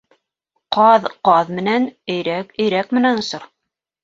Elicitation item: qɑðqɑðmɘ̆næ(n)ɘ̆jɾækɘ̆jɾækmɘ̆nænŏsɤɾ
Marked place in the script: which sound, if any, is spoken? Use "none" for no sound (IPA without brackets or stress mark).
n